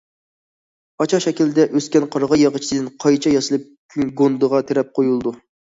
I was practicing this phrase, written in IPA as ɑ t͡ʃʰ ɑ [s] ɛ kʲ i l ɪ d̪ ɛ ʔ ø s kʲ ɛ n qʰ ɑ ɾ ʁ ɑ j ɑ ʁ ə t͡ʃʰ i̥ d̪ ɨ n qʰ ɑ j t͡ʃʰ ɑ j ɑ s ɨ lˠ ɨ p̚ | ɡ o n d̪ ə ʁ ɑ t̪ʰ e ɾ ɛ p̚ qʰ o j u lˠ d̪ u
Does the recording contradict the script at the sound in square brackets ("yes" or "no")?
yes